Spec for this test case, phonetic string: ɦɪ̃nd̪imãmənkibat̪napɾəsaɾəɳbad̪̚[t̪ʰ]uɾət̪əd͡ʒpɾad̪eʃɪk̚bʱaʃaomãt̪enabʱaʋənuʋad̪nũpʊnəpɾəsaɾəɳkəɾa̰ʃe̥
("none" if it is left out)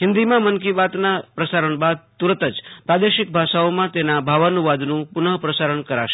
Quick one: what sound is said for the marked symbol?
t̪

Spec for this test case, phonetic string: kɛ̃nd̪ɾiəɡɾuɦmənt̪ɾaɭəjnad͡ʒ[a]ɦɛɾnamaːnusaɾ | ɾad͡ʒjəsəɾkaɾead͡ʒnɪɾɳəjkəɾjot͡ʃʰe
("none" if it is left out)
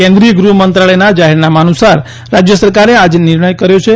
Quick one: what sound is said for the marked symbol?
a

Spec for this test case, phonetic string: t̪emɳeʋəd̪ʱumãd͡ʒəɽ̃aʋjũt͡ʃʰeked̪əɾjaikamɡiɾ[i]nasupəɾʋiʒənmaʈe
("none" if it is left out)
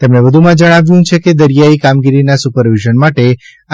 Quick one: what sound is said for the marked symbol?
i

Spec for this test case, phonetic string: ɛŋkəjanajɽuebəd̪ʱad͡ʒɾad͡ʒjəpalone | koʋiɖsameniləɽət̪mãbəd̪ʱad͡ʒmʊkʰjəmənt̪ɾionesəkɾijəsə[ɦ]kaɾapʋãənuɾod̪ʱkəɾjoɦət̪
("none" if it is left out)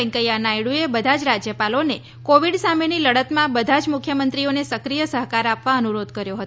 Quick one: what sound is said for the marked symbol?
ɦ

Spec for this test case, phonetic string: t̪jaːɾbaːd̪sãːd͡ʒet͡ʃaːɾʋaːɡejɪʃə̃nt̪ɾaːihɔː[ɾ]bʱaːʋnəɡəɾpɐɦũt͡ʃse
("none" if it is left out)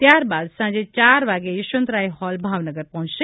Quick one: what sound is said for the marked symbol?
l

